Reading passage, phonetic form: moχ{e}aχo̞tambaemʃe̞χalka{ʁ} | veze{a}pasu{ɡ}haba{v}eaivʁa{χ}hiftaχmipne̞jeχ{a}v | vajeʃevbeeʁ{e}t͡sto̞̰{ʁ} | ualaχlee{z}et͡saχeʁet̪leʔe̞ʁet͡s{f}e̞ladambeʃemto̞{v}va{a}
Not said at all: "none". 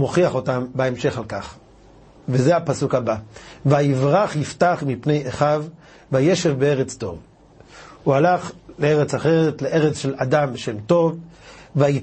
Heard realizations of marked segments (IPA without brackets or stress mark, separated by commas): i, χ, a, k, v, χ, a, e, v, ʁ, ʃ, v, i